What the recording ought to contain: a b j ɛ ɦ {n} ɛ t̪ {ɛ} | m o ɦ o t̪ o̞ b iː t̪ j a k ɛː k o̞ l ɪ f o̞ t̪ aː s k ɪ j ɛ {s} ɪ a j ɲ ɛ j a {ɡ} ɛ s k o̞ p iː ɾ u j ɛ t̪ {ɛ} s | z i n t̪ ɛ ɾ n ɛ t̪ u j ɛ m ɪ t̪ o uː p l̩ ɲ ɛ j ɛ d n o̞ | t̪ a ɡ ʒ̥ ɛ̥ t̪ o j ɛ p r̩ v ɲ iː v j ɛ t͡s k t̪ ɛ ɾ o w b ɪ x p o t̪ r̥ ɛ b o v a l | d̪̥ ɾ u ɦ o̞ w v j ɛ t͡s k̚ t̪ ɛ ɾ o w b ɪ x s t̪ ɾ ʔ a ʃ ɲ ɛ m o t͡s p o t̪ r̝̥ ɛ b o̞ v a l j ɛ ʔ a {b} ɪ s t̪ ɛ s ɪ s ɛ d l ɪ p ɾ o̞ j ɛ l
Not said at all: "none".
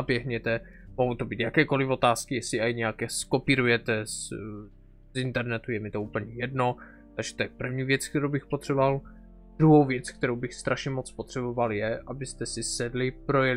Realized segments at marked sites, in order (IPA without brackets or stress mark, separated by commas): ɲ, ɛ, s, k, ɛ, b